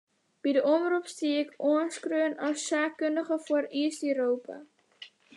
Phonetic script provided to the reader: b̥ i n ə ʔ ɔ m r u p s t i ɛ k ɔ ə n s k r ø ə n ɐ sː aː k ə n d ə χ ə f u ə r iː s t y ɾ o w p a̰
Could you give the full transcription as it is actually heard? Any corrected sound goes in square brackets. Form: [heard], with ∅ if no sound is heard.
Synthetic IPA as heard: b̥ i [d] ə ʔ ɔ m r u p s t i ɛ k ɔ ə n s k r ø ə n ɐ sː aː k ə n d ə χ ə f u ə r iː s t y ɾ o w p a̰